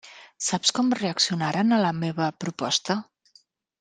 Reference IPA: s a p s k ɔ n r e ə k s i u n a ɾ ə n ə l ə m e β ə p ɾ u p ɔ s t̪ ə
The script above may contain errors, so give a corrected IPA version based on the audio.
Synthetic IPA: s a p s k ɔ m r e ə k s i u n a ɾ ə n ə l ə m e β ə p ɾ u p ɔ s t̪ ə

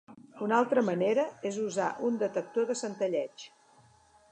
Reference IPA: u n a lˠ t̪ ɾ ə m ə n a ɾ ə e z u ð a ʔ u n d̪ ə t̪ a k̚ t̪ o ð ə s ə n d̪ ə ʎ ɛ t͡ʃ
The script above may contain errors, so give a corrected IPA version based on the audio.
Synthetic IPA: u n a lˠ t̪ ɾ ə m ə n e ɾ ə e z u z a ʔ u n d̪ ə t̪ ə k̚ t̪ o ð ə s ə n t̪ ə ʎ ɛ t͡ʃ

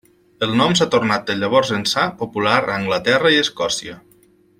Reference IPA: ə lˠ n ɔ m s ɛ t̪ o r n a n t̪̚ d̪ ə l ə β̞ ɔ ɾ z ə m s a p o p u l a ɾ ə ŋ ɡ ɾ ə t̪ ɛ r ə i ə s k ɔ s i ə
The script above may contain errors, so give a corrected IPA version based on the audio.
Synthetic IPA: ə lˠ n ɔ m s a t̪ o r n a t̪̚ d̪ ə ʎ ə β̞ ɔ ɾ z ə n s a p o p u l a ɾ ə ŋ ɡ l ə t̪ ɛ r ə i ə s k ɔ s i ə

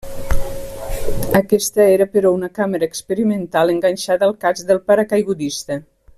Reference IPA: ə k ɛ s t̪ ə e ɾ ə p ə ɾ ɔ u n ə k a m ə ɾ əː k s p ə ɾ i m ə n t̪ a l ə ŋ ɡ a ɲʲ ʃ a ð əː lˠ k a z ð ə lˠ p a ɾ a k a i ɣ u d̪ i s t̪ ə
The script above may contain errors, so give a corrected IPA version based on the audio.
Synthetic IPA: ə k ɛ s t̪ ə e ɾ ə p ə ɾ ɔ u n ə k a m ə ɾ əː k s p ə ɾ i m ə n t̪ a l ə ŋ ɡ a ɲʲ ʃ a ð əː lˠ k a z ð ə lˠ p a ɾ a k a j ɣ u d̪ i s t̪ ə

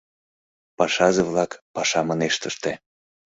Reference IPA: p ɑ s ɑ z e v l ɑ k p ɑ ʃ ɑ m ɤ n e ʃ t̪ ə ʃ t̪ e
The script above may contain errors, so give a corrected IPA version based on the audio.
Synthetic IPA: p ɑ ʃ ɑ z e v l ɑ k p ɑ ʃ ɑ m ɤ n e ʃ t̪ ə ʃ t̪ e

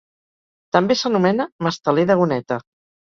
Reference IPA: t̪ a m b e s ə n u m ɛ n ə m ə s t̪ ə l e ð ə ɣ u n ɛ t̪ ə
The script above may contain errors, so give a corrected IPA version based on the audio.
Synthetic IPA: t̪ ə m b e s ə n u m ɛ n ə m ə s t̪ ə l e ð ə ɣ u n ɛ t̪ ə

